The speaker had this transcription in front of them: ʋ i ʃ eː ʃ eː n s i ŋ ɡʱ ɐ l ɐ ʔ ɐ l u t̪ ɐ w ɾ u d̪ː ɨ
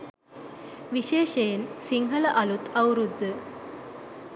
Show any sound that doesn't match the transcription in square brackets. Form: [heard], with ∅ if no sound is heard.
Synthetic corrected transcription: ʋ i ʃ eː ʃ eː n s i ŋ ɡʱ ɐ l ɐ ʔ ɐ l u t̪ ɐ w ɾ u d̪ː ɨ